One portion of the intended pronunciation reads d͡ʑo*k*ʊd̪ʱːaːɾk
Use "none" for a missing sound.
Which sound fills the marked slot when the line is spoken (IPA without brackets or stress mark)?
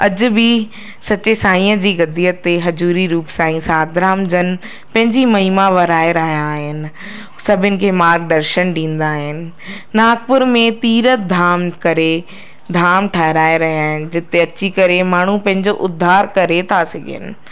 ʔ